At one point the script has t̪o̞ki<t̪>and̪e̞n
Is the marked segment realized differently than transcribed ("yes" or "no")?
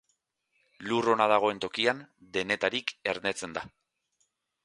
yes